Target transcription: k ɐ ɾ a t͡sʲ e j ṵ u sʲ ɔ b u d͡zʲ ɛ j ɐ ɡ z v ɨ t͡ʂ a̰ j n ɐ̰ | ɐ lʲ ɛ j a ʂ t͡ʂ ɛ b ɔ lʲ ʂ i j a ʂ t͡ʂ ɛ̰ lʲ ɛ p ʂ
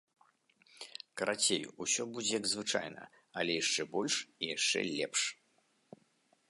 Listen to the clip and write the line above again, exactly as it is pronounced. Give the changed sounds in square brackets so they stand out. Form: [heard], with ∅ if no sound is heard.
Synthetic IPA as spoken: k ɐ ɾ a t͡sʲ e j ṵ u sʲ ɔ b u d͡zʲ ɛ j ɐ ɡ z v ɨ t͡ʂ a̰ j n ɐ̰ | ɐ lʲ ɛ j a ʂ t͡ʂ ɛ b ɔ lʲ ʂ i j a ʂ t͡ʂ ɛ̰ lʲ ɛ p ʂ